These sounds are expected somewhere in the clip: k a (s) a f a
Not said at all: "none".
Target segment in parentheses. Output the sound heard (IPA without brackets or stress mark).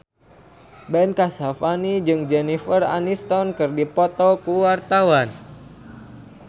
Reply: s